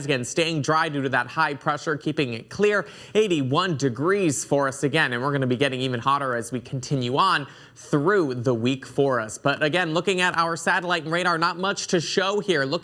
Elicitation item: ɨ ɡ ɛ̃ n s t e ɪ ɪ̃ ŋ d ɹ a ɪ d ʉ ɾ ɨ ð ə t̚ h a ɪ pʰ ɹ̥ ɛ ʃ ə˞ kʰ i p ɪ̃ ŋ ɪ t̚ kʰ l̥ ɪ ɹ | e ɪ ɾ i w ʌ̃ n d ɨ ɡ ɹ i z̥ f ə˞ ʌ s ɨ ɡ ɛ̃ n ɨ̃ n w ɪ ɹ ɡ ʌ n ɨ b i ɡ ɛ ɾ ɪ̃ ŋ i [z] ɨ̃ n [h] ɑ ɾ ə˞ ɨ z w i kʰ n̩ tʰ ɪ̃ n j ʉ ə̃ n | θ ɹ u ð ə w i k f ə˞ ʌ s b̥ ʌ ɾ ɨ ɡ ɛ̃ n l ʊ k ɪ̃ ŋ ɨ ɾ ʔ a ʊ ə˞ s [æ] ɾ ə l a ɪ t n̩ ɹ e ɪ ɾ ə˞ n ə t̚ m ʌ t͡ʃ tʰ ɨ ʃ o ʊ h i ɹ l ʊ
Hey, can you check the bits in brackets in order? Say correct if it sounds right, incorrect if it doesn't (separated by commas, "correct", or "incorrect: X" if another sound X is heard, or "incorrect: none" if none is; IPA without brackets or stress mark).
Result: incorrect: v, correct, correct